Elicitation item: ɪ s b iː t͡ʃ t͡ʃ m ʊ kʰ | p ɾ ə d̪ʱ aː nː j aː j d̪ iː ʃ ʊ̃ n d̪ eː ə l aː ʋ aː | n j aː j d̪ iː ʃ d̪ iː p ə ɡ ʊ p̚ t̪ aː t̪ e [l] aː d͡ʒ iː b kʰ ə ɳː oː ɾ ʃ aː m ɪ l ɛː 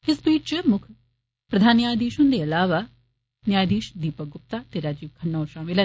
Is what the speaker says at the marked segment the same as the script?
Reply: no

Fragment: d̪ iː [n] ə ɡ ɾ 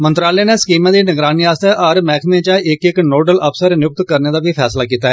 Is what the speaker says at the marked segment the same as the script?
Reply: yes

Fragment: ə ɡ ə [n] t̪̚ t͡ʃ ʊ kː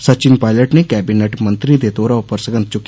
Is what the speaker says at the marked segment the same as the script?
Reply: yes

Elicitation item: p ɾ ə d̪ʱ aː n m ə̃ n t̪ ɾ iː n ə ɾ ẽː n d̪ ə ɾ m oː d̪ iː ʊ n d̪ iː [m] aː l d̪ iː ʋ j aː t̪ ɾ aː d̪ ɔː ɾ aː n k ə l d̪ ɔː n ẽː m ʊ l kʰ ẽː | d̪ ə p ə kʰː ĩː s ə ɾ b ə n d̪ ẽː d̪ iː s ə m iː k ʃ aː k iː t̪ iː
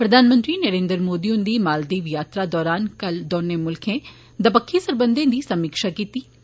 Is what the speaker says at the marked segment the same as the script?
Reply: yes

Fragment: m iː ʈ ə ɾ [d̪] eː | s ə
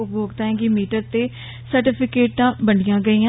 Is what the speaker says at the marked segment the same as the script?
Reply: no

